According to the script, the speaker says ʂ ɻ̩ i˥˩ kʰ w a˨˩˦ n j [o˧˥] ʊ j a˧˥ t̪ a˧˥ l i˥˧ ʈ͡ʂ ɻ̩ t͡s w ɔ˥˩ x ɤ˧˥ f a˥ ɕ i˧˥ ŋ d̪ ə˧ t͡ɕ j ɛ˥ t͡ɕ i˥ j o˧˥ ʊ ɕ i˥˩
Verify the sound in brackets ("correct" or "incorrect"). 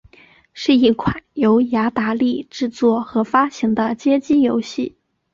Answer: correct